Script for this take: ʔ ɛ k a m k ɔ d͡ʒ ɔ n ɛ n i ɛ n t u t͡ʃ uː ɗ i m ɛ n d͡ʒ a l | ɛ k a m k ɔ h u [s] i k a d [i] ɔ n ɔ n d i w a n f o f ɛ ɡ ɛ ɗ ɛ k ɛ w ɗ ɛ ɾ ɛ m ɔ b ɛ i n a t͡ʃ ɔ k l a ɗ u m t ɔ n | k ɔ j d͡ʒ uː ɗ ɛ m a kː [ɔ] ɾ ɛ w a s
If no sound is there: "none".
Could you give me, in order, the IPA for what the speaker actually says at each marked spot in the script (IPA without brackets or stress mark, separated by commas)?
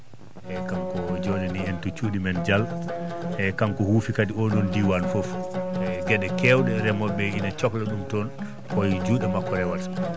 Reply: f, i, ɔ